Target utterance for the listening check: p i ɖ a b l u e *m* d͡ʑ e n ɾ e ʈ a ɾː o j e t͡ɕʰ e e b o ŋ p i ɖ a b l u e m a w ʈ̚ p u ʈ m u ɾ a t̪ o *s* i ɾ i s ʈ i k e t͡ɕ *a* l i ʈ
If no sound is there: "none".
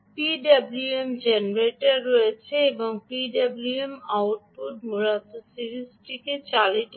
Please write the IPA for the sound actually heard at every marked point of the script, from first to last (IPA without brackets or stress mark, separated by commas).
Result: m, s, a